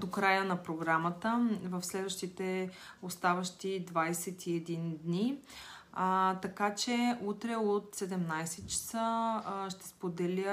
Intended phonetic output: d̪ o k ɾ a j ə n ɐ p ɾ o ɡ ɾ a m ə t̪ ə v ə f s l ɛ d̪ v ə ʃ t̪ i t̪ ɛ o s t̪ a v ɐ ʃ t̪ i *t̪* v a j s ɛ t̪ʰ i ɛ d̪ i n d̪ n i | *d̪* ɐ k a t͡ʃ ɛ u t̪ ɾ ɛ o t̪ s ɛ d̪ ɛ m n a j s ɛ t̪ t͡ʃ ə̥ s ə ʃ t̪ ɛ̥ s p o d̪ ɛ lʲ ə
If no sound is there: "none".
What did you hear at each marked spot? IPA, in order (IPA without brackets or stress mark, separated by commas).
d̪, t̪